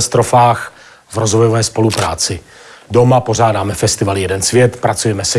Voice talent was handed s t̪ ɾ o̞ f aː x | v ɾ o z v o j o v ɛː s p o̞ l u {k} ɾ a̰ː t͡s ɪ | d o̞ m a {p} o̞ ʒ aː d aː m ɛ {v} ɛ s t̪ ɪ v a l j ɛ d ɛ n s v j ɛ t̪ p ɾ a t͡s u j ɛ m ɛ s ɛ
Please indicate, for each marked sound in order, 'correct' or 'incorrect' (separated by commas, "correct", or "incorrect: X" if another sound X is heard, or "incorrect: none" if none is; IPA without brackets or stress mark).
incorrect: p, correct, incorrect: f